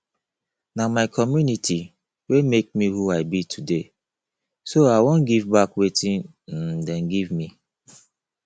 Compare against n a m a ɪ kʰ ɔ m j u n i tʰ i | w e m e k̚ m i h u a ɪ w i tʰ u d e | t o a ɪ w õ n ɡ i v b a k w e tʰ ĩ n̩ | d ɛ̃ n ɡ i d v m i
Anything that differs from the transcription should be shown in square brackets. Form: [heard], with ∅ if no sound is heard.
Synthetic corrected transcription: n a m a ɪ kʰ ɔ m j u n i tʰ i | w e m e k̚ m i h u a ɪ [b] i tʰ u d e | [s] o a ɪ w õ n ɡ i v b a k w e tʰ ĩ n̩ | d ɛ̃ n ɡ i [∅] v m i